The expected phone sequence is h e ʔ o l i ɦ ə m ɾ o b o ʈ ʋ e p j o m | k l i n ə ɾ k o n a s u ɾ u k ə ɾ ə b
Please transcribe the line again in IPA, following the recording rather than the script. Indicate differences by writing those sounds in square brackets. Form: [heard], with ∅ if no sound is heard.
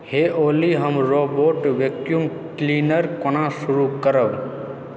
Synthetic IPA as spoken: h e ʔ o l i ɦ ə m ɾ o b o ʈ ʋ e [k] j [u] m | k l i n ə ɾ k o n a s u ɾ u k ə ɾ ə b